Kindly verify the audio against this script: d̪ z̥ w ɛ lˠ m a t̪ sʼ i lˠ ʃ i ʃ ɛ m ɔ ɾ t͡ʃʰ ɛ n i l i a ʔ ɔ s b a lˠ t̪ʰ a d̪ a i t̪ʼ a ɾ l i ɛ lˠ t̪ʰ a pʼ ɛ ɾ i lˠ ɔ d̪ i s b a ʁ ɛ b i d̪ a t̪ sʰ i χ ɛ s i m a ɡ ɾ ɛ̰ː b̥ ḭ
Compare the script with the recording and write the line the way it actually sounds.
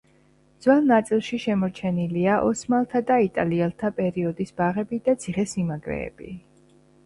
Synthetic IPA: d̪ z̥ w ɛ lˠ n a t̪ sʼ i lˠ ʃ i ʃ ɛ m ɔ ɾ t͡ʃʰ ɛ n i l i a ʔ ɔ s m a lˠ t̪ʰ a d̪ a i t̪ʼ a l i ɛ lˠ t̪ʰ a pʼ ɛ ɾ i ɔ d̪ i s b a ʁ ɛ b i d̪ a t̪ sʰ i χ ɛ s i m a ɡ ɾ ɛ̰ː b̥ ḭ